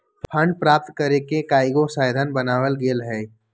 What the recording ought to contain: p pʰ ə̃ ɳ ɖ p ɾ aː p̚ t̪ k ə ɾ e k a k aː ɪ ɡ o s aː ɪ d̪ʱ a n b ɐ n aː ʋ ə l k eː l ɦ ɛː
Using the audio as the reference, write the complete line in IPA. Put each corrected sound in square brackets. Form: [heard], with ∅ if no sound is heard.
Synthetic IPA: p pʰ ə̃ ɳ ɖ p ɾ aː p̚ t̪ k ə ɾ e k [e] k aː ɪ ɡ o s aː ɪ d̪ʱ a n b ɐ n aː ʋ ə l [ɡ] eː l ɦ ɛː